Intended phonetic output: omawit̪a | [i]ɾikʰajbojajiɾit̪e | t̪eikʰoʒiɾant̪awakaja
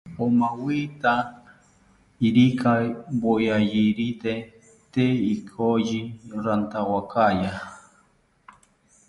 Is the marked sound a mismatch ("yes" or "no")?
no